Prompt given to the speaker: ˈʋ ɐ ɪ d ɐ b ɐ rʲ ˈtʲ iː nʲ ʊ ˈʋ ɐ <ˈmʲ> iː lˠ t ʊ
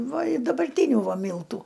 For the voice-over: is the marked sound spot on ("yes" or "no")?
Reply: yes